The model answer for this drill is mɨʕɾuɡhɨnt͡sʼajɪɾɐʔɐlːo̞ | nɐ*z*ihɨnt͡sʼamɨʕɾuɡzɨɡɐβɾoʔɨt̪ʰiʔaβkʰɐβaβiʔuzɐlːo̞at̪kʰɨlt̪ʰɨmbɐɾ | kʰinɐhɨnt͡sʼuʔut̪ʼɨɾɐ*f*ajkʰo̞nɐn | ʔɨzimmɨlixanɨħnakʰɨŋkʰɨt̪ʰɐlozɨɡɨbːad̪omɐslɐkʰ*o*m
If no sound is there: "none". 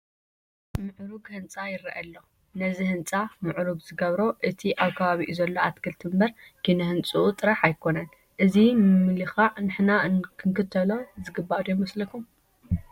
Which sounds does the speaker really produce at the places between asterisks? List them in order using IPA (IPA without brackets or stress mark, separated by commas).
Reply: z, ħ, u